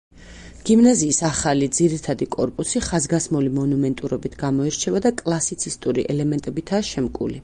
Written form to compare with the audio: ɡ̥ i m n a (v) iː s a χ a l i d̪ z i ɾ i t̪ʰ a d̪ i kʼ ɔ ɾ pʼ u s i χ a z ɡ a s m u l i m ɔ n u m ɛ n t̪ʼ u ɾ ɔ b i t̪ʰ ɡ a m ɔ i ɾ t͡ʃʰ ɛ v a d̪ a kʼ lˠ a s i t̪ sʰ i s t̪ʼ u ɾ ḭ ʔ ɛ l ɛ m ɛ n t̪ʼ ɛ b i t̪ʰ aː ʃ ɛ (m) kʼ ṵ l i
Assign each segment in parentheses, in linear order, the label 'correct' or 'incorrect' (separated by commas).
incorrect, correct